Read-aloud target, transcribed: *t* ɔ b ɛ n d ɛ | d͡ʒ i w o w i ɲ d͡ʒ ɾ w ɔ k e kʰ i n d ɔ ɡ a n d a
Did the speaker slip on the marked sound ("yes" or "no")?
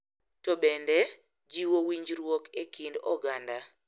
no